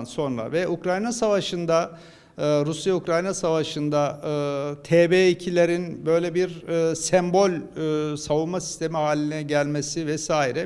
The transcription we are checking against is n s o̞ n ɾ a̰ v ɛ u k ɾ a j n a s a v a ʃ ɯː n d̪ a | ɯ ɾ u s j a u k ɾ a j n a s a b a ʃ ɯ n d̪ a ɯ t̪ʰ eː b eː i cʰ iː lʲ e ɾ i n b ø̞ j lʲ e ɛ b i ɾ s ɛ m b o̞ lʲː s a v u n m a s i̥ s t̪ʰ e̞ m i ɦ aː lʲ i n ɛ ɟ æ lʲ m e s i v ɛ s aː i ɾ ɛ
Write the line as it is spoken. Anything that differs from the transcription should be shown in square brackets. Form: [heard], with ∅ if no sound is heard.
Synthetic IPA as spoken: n s o̞ n ɾ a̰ v ɛ u k ɾ a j n a s a v a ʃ [ɯ] n d̪ a | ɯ ɾ u s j a u k ɾ a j n a s a [v] a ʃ ɯ n d̪ a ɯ t̪ʰ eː b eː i cʰ [i] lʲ e ɾ i n b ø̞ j lʲ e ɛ b i ɾ s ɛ m b o̞ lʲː s a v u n m a s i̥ s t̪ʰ e̞ m i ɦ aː lʲ i n ɛ ɟ æ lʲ m e s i v ɛ s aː i ɾ ɛ